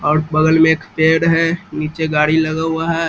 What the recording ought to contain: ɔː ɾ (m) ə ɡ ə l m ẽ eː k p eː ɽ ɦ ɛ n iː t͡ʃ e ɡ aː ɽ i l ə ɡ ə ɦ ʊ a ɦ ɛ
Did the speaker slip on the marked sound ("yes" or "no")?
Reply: yes